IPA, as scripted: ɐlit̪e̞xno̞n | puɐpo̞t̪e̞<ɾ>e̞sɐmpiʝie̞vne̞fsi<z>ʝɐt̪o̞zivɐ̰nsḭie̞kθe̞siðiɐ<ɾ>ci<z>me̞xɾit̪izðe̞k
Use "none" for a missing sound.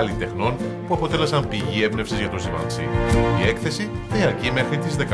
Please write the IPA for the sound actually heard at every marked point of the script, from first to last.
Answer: l, z, ɾ, none

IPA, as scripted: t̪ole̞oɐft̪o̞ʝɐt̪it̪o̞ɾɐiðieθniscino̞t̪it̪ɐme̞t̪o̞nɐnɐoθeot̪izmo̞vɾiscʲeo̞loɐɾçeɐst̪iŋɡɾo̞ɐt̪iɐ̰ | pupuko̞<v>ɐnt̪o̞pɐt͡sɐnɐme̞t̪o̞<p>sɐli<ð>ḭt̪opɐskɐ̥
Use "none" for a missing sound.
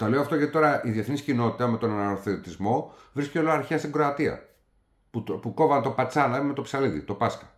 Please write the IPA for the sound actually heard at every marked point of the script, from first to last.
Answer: v, p, ð

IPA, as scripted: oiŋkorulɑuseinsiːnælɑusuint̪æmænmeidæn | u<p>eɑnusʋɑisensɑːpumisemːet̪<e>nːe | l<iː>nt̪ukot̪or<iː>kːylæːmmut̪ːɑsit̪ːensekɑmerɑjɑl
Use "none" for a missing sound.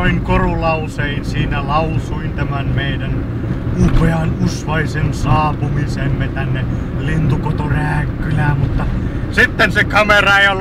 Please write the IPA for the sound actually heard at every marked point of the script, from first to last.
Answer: p, æ, i, æː

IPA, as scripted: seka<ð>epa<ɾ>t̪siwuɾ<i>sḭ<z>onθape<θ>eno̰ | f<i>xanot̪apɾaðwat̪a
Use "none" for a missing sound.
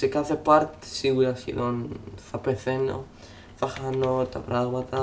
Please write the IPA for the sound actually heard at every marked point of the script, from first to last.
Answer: θ, ɾ, a, ð, θ, a

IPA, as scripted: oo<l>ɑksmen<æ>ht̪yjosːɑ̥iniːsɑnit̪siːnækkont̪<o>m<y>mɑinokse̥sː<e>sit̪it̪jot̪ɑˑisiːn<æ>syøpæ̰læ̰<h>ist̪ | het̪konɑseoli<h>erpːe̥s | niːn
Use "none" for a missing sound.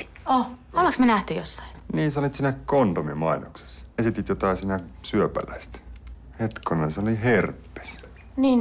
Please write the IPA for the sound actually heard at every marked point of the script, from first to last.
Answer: l, æ, o, i, e, æ, none, h

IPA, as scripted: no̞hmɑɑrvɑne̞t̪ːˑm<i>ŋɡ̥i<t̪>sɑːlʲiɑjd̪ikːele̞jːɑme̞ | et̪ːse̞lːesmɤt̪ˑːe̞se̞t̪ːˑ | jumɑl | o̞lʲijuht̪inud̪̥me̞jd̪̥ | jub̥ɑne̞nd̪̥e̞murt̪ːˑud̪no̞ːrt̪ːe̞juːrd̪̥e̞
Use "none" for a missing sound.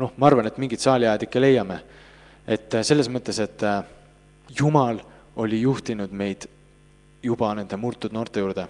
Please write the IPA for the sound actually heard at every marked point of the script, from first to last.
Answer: i, t̪

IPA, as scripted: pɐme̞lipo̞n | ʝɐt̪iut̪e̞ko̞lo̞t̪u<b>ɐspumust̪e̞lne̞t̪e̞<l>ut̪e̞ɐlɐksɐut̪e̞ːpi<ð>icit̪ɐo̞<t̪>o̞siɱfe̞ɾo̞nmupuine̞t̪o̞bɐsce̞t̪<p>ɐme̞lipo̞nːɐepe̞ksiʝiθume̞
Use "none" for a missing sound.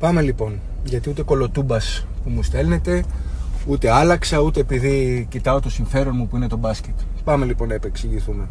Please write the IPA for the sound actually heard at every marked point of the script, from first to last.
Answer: b, none, ð, t̪, p

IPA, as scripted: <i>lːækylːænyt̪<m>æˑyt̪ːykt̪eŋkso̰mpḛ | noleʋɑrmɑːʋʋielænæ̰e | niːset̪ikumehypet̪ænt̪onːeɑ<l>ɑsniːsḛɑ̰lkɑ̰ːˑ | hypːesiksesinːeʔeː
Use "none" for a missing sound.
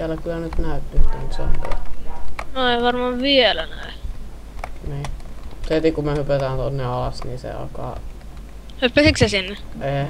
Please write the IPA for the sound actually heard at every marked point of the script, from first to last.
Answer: æ, n, l

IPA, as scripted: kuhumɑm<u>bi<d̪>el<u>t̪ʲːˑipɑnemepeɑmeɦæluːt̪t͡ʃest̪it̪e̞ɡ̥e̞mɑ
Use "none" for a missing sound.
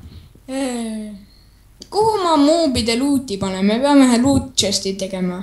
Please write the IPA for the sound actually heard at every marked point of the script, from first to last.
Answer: uː, d̪, uː

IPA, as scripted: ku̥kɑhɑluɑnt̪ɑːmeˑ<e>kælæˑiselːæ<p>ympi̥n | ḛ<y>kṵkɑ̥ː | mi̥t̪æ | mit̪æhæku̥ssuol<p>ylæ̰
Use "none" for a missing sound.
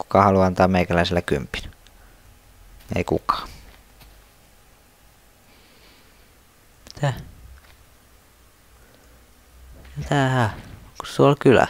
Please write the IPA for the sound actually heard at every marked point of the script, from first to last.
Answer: i, k, i, k

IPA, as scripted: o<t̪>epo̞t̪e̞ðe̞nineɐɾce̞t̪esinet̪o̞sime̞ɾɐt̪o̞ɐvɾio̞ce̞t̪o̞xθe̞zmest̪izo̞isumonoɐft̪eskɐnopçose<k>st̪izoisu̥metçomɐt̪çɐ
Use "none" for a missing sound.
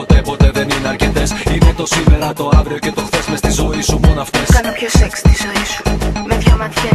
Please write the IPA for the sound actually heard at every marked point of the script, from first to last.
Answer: t̪, k

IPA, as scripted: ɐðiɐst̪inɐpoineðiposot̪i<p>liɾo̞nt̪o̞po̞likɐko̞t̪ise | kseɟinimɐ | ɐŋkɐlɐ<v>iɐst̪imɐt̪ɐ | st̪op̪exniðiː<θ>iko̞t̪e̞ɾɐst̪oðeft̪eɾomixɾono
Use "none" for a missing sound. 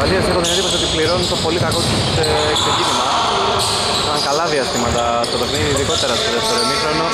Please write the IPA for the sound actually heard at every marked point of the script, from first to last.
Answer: p, ð, ð

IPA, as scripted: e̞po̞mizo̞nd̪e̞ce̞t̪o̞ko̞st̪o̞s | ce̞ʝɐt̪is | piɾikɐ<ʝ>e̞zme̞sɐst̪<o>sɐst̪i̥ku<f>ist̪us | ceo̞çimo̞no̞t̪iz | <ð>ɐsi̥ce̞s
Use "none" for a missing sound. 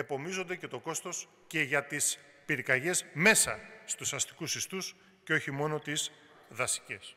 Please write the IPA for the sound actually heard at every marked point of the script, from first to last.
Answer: ʝ, u, s, ð

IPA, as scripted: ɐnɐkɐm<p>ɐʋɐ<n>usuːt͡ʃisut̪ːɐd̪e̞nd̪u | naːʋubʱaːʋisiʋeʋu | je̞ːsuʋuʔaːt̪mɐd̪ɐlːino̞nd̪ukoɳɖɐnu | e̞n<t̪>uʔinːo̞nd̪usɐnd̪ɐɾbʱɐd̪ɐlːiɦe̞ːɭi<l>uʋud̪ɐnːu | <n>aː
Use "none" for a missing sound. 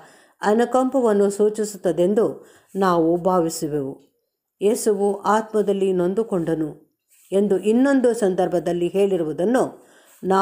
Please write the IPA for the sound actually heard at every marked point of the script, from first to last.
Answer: p, nː, d̪, ɾ, n

